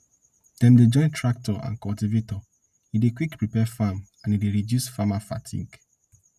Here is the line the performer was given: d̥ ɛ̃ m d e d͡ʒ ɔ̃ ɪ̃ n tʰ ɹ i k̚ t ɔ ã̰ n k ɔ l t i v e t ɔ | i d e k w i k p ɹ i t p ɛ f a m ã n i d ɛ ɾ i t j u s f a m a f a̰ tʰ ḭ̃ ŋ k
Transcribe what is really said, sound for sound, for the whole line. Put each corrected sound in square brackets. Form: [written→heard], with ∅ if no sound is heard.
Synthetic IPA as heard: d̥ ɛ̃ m d e d͡ʒ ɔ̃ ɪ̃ n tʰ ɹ [i→a] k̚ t ɔ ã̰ n k ɔ l t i v e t ɔ | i d e k w i k p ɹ i [t→∅] p ɛ f a m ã n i d [ɛ→e] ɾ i [t→d] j u s f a m a f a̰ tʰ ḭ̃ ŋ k